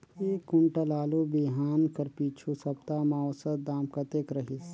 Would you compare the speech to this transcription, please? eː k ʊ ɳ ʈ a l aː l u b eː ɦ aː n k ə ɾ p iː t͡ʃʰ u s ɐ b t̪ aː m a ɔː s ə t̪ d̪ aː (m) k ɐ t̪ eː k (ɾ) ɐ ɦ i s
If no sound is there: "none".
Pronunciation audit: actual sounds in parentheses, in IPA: m, ɾ

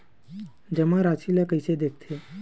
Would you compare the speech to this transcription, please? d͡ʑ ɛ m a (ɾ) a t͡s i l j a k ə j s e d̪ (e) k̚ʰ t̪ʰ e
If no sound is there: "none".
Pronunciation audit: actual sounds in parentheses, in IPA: ɾ, e

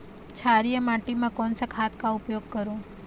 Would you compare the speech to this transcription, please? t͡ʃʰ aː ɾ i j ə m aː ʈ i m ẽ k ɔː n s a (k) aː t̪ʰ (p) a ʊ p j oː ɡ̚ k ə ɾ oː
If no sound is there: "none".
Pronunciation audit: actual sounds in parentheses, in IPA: kʰ, k

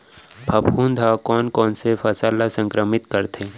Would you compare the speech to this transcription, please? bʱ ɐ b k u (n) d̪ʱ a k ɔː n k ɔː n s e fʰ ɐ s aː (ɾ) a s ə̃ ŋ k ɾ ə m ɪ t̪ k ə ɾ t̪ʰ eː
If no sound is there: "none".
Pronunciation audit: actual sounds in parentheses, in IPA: n, l

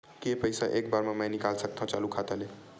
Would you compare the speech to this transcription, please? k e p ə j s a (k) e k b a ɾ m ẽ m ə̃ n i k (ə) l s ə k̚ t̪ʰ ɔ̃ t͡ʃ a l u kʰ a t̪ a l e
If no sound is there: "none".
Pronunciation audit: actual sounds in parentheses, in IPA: ʔ, a

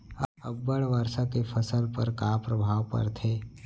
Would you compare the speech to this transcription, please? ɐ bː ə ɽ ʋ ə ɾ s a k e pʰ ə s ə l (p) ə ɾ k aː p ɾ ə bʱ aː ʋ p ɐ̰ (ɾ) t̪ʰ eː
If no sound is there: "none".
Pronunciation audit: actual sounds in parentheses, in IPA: p, ɾ

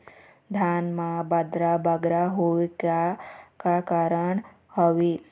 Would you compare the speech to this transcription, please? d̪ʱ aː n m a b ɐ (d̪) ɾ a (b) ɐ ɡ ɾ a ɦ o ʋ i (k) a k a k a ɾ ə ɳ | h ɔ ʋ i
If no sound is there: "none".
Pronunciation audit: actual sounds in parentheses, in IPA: d̪, b, k

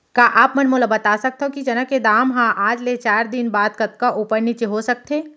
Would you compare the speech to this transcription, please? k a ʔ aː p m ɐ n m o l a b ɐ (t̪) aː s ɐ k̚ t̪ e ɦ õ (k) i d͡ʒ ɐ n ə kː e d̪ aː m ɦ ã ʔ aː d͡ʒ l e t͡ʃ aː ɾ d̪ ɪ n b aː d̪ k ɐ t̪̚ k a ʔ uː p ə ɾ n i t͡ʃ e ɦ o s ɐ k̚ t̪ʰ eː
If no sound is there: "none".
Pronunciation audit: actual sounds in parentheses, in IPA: t̪, k

